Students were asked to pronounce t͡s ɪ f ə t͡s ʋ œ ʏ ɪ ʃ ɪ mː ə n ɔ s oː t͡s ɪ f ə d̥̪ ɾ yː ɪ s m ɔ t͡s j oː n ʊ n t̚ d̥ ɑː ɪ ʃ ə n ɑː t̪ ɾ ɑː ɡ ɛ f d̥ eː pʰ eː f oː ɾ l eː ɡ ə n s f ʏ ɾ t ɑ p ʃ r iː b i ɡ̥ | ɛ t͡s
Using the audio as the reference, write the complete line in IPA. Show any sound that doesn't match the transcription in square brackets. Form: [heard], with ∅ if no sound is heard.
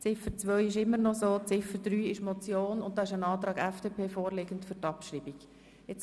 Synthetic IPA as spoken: t͡s ɪ f ə t͡s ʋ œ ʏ ɪ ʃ ɪ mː ə n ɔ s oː t͡s ɪ f ə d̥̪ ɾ yː ɪ [ʃ] m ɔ t͡s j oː n ʊ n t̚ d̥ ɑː ɪ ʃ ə n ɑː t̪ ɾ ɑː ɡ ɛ f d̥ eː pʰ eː f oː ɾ l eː ɡ ə n [t] f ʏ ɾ t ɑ p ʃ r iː b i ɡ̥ | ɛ t͡s